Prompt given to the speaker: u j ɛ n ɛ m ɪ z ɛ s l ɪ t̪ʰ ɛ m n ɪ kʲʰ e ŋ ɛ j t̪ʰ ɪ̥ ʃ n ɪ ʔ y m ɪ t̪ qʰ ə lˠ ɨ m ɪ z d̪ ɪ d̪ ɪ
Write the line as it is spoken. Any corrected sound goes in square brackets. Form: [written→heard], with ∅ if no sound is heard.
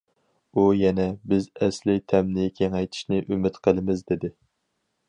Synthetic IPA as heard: u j ɛ n ɛ [m→b] ɪ z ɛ s l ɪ t̪ʰ ɛ m n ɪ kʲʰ e ŋ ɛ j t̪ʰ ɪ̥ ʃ n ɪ ʔ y m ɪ t̪ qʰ ə lˠ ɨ m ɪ z d̪ ɪ d̪ ɪ

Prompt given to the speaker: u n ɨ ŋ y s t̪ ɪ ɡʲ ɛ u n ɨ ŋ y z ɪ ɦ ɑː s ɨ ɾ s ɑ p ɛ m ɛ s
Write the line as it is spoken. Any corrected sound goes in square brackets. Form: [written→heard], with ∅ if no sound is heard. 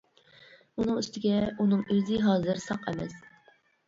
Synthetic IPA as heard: u n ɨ ŋ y s t̪ ɪ ɡʲ ɛ u n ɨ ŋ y z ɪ ɦ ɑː [s→z] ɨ ɾ s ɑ [p→q] ɛ m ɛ s

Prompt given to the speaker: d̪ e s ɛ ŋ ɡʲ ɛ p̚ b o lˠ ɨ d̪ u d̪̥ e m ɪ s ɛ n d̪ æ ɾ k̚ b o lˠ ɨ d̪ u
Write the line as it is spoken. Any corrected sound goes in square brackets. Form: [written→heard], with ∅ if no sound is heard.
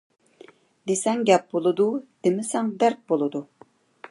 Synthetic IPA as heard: d̪ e s ɛ ŋ ɡʲ ɛ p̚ b o lˠ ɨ d̪ u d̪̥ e m ɪ s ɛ [n→ŋ] d̪ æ ɾ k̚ b o lˠ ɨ d̪ u

